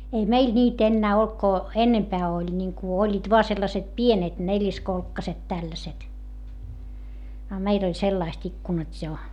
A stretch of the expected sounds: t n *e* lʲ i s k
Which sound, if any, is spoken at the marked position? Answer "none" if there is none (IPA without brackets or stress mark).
e